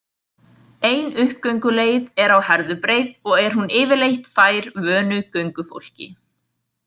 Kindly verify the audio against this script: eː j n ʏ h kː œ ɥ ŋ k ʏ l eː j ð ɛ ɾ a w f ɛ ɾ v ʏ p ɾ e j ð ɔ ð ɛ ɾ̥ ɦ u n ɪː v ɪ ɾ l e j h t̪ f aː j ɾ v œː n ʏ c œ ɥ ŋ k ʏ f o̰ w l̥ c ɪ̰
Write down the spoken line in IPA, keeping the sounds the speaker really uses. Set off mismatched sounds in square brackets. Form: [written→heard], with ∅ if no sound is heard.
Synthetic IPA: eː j n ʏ h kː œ ɥ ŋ k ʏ l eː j ð ɛ ɾ a w [f→h] ɛ ɾ [v→ð] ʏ p ɾ e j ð ɔ [ð→ɣ] ɛ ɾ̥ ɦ u n ɪː v ɪ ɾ l e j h t̪ f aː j ɾ v œː n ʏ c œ ɥ ŋ k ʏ f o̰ w l̥ c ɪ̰